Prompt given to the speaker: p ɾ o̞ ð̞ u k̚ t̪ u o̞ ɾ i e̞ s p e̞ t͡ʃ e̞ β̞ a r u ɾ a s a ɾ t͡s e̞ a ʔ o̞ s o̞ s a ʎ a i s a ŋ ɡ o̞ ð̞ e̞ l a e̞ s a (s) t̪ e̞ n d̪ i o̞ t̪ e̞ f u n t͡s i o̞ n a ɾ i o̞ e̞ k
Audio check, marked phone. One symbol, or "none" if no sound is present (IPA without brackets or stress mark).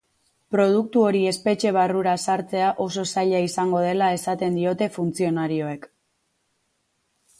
none